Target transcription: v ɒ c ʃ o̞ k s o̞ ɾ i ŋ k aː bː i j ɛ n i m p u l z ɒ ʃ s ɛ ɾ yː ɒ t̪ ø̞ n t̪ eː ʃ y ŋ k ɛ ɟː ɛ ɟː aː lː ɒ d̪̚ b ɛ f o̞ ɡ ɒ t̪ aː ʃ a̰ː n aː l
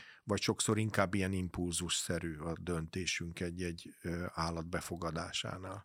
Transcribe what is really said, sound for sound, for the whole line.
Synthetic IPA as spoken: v ɒ c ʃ o̞ k s o̞ ɾ i ŋ k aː bː i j ɛ n i m p u l z u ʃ s ɛ ɾ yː ɒ d̪ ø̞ n t̪ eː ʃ y ŋ k ɛ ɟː ɛ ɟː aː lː ɒ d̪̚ b ɛ f o̞ ɡ ɒ d̪ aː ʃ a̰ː n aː l